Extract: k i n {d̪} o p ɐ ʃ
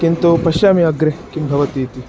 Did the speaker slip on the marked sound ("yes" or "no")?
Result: yes